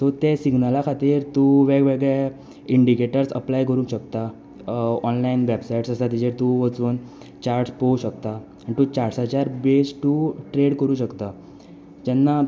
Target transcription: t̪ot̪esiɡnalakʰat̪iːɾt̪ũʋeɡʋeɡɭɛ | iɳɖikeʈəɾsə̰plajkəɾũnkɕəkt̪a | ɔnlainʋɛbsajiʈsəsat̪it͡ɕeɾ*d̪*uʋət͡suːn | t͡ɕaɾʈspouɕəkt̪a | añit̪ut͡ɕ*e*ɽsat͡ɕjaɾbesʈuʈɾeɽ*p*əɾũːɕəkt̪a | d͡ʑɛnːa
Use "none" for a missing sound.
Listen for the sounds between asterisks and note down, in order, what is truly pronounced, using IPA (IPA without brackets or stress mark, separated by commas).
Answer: t̪, a, k